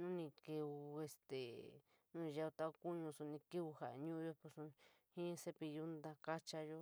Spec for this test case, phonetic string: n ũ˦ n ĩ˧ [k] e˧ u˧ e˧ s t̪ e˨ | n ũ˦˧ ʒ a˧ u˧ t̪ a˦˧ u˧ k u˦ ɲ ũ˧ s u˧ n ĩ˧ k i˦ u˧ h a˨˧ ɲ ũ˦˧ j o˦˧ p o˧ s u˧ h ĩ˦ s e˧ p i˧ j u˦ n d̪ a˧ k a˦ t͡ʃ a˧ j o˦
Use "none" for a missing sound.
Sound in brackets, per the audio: k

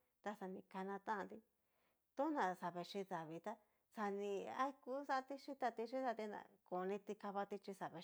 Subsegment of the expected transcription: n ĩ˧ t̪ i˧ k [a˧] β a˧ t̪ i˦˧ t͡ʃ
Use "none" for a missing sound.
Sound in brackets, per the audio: a˧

